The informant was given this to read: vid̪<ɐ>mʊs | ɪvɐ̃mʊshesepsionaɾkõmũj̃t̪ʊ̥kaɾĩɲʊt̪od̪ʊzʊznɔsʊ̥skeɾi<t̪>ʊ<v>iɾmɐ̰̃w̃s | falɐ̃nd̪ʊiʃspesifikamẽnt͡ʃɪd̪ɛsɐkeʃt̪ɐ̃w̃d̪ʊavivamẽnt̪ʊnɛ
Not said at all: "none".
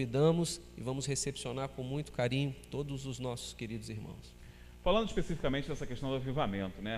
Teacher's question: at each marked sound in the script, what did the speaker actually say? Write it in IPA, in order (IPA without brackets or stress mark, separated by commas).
ɐ̃, d̪, z